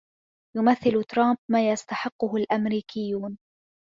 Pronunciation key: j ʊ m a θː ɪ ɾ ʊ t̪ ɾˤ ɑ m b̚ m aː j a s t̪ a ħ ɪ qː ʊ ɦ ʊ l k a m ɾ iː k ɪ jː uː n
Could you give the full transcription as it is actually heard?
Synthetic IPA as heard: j ʊ m a θː ɪ l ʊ t̪ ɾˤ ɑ m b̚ m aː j a s t̪ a ħ ɪ qː ʊ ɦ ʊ l ʔ a m ɾ iː k ɪ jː uː n